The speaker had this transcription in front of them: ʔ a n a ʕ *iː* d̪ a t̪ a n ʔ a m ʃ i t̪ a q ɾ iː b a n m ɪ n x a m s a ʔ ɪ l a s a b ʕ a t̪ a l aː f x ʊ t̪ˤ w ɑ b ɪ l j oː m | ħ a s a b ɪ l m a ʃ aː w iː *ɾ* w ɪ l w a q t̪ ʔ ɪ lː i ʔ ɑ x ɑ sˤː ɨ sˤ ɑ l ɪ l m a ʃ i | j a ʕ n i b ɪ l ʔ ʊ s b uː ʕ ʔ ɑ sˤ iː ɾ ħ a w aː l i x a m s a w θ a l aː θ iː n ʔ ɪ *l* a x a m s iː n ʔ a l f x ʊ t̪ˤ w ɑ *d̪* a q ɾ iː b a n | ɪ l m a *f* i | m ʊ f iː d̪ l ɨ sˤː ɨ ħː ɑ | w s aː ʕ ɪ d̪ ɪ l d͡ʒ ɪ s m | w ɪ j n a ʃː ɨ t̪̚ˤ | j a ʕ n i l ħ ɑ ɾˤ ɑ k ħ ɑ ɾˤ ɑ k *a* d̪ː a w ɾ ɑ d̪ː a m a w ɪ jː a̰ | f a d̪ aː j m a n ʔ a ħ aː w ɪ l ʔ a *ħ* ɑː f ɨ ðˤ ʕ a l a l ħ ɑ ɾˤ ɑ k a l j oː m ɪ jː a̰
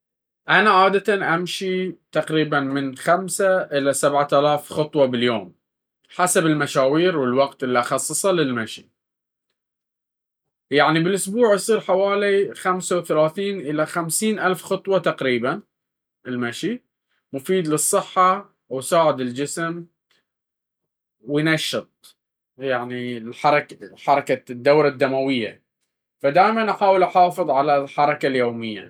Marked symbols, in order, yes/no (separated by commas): no, yes, yes, no, no, yes, yes